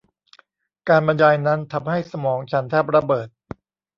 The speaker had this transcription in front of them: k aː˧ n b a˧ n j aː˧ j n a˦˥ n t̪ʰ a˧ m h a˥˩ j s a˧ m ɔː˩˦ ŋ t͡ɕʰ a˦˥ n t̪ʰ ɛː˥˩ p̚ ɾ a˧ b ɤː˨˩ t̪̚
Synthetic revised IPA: k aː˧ n b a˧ n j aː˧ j n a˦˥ n t̪ʰ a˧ m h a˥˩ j s a˧ m ɔː˩˦ ŋ t͡ɕʰ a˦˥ n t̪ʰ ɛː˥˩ p̚ ɾ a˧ b ɤː˨˩ t̪̚